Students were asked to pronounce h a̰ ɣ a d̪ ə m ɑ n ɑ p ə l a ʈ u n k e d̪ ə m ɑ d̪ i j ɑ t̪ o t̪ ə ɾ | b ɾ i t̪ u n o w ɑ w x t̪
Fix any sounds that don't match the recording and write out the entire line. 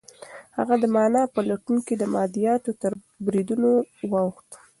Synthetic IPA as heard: h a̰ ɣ a d̪ ə m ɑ n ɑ p ə l a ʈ u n k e d̪ ə m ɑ d̪ i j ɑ t̪ o t̪ ə ɾ | b ɾ i d̪ u n o w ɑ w x t̪